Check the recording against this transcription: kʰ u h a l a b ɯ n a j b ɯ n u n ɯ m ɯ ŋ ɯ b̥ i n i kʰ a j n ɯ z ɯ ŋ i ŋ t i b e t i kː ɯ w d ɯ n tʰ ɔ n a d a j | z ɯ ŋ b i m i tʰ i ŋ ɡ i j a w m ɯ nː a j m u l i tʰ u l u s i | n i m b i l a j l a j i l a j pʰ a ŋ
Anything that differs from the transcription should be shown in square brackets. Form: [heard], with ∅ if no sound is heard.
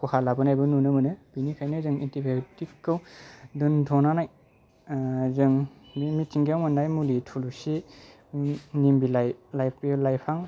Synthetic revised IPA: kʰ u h a l a b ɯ n a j b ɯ n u n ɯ m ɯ [n] ɯ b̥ i n i kʰ a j n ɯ z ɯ ŋ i [n] t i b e t i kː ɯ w d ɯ n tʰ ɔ n a [n] a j | z ɯ ŋ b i m i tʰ i ŋ ɡ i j a w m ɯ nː a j m u l i tʰ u l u s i | n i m b i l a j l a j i l a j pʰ a ŋ